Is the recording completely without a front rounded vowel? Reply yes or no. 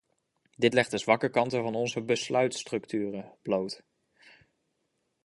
no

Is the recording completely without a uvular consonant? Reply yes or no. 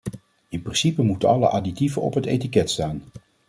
yes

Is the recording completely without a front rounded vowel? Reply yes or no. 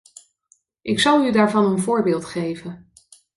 no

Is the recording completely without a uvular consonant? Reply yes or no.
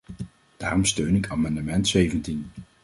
yes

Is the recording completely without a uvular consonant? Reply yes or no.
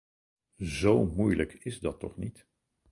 no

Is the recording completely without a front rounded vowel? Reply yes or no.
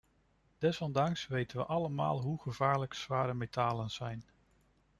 yes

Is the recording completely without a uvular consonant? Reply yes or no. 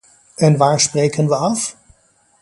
yes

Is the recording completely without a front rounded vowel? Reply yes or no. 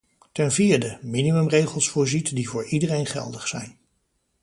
yes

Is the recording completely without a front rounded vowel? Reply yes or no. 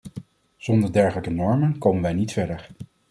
yes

